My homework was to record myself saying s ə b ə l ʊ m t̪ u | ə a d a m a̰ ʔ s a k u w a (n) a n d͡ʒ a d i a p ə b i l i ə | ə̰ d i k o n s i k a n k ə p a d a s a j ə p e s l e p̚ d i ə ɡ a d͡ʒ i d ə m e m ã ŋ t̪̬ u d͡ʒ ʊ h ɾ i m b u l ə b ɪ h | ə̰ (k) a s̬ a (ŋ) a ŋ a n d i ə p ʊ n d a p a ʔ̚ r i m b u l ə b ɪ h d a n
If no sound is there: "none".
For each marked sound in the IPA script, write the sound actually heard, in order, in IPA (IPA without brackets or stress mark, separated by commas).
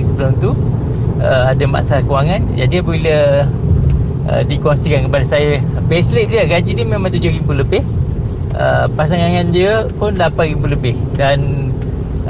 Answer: ŋ, p, ŋ